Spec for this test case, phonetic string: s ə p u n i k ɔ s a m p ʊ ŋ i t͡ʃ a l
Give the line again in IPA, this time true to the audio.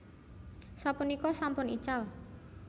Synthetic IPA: s a p u n i k ɔ s a m p ʊ n i t͡ʃ a l

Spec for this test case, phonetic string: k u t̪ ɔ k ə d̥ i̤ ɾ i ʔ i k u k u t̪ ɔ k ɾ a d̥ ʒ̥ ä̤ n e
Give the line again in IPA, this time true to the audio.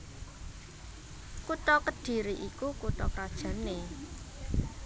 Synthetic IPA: k u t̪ ɔ k ə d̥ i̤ ɾ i ʔ i k u k u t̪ ɔ k ɾ a d̥ ʒ̥ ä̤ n e

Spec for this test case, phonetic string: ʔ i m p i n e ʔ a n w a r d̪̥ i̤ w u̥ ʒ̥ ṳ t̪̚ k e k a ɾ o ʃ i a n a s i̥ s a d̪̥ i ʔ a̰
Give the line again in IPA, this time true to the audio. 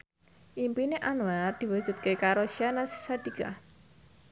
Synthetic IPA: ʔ i m p i n e ʔ a n w a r d̪̥ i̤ w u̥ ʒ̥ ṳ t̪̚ k e k a ɾ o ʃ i a n a s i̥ s a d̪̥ i k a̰

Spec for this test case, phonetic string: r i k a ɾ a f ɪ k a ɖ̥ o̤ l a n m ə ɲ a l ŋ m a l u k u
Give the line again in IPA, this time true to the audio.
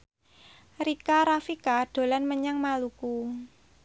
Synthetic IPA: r i k a ɾ a f i k a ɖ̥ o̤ l a n m ə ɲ a ŋ m a l u k u

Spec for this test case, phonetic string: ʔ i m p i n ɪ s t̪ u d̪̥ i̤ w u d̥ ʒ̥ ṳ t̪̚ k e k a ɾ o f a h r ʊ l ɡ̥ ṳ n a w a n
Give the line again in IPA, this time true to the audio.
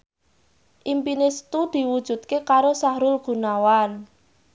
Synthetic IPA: ʔ i m p i n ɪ s t̪ u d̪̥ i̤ w u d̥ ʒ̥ ṳ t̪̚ k e k a ɾ o s a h ɾ ʊ l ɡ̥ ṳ n a w a n

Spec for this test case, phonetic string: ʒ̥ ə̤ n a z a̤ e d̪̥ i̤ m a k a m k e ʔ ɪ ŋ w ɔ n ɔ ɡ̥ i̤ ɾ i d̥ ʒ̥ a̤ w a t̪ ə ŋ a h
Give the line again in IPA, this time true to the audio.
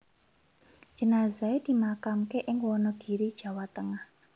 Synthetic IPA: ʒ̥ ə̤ n a z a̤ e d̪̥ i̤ m a k a m k e ʔ ɪ ŋ w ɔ n ɔ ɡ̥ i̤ ɾ i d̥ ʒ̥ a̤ w a t̪ ə ŋ a h

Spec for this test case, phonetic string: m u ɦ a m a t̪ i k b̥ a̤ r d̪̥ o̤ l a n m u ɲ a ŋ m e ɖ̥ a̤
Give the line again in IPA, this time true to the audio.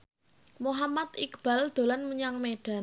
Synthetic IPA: m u ɦ a m a t̪ i k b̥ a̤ l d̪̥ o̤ l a n m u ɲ a ŋ m e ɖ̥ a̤

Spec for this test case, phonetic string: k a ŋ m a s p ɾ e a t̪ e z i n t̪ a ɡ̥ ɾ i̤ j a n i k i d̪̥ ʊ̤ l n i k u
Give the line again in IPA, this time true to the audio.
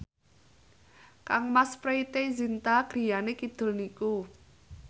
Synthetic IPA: k a ŋ m a s p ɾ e i t̪ e z i n t̪ a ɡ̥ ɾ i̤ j a n e k i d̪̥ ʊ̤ l n i k u

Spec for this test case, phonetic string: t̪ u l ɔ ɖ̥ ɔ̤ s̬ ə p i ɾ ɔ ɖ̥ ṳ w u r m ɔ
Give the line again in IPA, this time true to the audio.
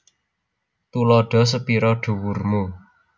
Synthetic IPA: t̪ u l ɔ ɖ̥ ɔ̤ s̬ ə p i ɾ ɔ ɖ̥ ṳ w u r m u

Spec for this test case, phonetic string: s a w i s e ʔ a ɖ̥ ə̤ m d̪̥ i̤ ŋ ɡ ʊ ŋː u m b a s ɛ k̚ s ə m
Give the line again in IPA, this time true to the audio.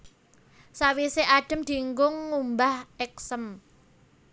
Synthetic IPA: s a w i s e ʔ a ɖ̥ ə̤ m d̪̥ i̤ ŋ ɡ ʊ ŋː u m b a h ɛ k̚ s ə m

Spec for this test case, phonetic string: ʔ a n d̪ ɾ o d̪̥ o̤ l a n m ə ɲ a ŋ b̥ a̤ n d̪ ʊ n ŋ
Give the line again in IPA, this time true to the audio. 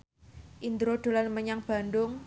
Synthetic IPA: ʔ i n d̪ ɾ o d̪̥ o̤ l a n m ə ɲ a ŋ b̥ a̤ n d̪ ʊ ŋ

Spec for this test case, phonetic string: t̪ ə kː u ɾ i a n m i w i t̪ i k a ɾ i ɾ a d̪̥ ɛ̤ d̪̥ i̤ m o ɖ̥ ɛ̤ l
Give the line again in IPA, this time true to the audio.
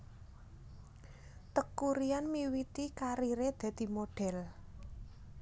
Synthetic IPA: t̪ ə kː u ɾ i a n m i w i t̪ i k a ɾ i ɾ e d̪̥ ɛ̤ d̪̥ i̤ m o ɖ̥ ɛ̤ l

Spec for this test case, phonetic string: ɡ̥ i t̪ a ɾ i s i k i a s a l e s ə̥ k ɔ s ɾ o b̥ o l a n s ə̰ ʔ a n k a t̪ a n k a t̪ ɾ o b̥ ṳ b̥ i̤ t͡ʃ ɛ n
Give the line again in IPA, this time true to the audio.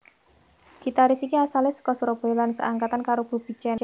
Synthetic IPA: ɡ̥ i t̪ a ɾ i s i k i a s a l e s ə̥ k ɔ s ɾ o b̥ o l a n s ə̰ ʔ a ŋ k a t̪ a n k a ɾ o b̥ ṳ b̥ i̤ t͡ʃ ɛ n

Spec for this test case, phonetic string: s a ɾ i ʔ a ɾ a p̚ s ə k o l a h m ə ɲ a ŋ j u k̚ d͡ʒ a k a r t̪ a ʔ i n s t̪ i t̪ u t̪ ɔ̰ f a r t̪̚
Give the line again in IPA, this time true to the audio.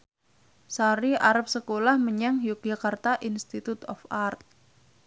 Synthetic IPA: s a ɾ i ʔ a ɾ a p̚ s ə k o l a h m ə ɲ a ŋ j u k̚ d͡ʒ a k a r t̪ a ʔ i n s t̪ i t̪ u t̪ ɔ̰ f a r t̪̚

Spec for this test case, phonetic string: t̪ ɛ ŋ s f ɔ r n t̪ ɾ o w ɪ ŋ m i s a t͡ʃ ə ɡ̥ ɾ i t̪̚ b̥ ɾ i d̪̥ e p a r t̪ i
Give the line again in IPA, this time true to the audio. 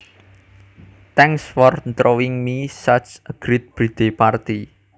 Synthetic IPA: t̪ ɛ ŋ s f ɔ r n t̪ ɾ o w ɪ ŋ m i s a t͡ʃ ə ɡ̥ ɾ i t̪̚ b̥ ɾ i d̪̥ e p a r t̪ i

